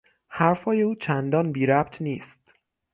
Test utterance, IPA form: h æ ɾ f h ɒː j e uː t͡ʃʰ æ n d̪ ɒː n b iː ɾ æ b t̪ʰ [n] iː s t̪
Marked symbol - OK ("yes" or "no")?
yes